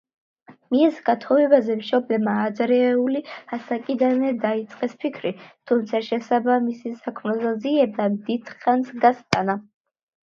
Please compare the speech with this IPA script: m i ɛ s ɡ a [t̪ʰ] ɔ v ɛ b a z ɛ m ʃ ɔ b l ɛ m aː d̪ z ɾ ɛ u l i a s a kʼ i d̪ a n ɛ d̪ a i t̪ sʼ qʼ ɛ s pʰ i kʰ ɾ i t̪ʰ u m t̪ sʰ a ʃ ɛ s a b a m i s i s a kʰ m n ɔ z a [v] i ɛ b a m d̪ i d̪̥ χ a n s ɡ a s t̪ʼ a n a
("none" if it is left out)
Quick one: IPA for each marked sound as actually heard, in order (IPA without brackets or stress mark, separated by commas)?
t̪ʰ, z